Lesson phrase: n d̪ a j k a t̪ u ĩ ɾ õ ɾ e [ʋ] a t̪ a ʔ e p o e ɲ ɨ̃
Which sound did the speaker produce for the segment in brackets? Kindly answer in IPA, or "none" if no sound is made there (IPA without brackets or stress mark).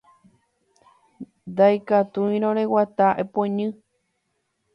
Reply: w